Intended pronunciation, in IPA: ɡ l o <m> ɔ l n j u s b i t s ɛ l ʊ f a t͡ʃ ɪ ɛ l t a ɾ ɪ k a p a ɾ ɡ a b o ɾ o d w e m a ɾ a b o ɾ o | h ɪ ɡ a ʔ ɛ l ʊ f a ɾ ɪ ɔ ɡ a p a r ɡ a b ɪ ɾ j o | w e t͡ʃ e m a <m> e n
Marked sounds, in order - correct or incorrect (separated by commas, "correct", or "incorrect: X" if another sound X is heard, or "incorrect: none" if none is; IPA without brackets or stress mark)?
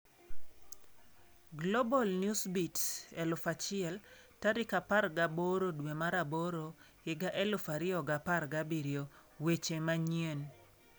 incorrect: b, incorrect: ɲ